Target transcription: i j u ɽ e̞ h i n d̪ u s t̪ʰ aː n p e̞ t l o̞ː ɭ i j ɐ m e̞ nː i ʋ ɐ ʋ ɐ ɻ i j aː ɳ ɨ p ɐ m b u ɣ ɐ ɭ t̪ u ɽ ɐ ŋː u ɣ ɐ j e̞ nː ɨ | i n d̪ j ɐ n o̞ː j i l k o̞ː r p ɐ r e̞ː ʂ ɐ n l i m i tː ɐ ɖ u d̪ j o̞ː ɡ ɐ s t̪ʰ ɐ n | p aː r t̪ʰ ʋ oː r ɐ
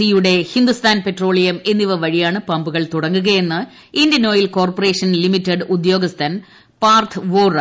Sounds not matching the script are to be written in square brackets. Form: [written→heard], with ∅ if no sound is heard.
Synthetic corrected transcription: i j u ɽ e̞ h i n d̪ u s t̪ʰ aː n p e̞ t [l→r] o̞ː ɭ i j ɐ m e̞ nː i ʋ ɐ ʋ ɐ ɻ i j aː ɳ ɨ p ɐ m b u ɣ ɐ ɭ t̪ u ɽ ɐ ŋː u ɣ ɐ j e̞ nː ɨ | i n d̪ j ɐ n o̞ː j i l k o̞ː r p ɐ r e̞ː ʂ ɐ n l i m i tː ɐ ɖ u d̪ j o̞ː ɡ ɐ s t̪ʰ ɐ n | p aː r t̪ʰ ʋ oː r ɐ